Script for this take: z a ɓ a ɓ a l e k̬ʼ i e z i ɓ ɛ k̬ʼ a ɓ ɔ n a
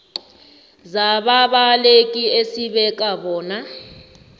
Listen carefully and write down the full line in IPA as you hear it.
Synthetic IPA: z a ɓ a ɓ a l e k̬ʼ i e s i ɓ ɛ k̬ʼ a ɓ ɔː n a